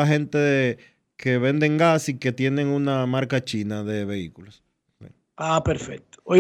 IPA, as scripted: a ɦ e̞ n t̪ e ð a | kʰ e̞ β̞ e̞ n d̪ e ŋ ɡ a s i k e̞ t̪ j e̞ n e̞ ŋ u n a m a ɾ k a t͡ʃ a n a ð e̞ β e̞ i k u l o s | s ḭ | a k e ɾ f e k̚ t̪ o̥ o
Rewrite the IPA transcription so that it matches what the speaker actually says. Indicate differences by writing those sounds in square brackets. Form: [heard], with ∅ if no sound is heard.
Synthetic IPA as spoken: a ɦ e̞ n t̪ e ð [e] | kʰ e̞ β̞ e̞ n d̪ e ŋ ɡ a s i k e̞ t̪ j e̞ n e̞ ŋ u n a m a ɾ k a t͡ʃ [i] n a ð e̞ β e̞ i k u l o s | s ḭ | a [p] e ɾ f e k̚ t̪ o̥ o